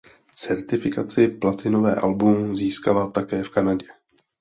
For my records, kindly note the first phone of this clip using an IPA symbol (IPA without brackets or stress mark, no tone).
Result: t͡s